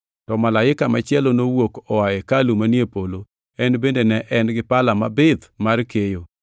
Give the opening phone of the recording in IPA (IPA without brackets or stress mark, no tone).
t